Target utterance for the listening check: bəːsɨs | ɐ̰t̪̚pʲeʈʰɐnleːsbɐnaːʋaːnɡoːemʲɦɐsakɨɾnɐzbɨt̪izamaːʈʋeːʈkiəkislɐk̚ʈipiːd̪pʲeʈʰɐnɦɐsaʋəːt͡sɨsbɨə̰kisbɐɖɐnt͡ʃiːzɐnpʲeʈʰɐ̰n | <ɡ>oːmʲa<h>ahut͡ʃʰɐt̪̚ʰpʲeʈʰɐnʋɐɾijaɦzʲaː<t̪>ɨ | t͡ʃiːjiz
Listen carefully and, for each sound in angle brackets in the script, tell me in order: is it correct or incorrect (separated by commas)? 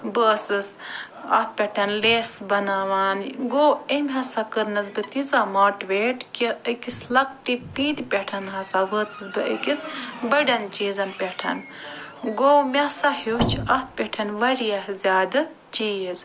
correct, incorrect, incorrect